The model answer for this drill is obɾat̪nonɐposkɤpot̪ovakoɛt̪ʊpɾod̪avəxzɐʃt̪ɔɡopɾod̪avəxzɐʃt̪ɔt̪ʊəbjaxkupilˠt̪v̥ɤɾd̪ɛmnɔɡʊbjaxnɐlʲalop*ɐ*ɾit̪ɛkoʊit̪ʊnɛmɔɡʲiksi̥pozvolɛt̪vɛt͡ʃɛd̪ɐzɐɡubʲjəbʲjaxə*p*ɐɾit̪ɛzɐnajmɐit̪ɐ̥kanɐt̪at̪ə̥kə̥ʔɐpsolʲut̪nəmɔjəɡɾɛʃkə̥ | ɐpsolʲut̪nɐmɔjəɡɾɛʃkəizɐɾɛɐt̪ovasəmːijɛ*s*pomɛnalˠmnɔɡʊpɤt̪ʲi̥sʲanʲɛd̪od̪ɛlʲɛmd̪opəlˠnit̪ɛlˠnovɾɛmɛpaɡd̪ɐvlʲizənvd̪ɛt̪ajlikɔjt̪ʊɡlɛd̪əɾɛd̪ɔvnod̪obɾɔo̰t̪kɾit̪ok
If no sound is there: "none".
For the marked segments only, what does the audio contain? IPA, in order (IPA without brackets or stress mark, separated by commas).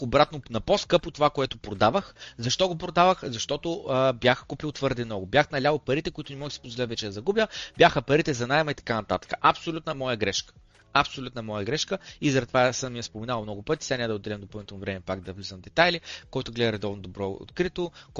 ɐ, p, s